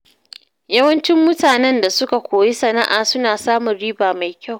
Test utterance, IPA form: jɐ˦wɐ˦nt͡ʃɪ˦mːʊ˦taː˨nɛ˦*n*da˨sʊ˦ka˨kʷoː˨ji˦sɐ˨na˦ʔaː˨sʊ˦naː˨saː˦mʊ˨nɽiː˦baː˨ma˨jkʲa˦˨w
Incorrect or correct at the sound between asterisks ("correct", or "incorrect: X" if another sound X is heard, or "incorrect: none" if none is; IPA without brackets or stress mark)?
correct